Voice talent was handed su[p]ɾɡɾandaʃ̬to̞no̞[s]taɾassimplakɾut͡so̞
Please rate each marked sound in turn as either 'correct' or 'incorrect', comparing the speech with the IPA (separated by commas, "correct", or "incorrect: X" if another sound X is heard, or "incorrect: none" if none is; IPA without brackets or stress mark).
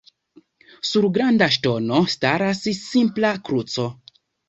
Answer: incorrect: none, correct